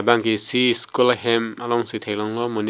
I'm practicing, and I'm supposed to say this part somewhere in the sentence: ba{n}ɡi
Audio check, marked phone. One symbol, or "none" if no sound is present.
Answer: ŋ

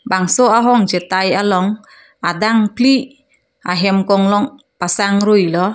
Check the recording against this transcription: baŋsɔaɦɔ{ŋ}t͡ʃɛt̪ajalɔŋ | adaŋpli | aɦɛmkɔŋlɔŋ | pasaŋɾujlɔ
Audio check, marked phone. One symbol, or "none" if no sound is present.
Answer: ŋ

